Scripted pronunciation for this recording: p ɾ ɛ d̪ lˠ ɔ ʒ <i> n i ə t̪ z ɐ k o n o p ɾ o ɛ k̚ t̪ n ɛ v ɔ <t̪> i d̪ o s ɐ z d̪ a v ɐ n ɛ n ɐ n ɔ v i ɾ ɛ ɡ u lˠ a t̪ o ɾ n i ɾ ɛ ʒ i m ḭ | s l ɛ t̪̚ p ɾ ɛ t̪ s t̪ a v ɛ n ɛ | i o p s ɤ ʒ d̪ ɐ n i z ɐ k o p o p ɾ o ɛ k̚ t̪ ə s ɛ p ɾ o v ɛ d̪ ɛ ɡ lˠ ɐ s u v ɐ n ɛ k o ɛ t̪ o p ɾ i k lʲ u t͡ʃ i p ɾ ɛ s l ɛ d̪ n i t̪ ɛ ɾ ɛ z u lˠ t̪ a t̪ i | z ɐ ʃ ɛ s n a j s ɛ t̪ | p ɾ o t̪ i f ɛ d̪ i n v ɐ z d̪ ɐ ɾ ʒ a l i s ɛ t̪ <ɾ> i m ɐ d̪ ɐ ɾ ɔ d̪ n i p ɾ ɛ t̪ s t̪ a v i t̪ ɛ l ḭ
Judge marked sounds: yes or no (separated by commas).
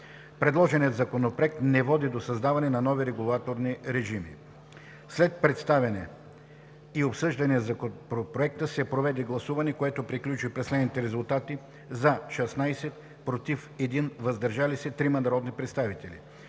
no, no, yes